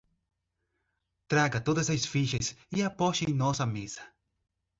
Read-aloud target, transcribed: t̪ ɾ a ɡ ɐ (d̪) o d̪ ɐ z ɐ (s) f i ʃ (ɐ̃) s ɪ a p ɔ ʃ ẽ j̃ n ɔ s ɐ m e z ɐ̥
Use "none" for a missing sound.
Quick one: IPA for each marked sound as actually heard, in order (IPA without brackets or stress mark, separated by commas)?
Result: t̪, s, ɐ